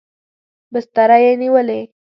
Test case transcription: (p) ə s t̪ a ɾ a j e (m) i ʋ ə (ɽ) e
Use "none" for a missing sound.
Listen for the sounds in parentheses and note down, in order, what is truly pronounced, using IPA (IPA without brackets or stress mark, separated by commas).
b, n, l